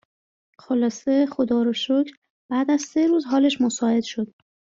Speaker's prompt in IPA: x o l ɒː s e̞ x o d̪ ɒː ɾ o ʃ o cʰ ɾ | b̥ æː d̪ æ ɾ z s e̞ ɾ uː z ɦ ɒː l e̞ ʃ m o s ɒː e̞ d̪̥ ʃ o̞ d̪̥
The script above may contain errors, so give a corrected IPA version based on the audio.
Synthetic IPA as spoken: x o l ɒː s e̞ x o d̪ ɒː ɾ o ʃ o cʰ ɾ | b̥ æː d̪ æ z s e̞ ɾ uː z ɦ ɒː l e̞ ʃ m o s ɒː e̞ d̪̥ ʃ o̞ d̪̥